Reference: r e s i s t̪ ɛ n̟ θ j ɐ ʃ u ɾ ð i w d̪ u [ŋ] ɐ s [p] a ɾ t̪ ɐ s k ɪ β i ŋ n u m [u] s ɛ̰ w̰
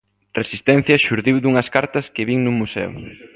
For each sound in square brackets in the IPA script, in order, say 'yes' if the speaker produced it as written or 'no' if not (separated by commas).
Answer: yes, no, yes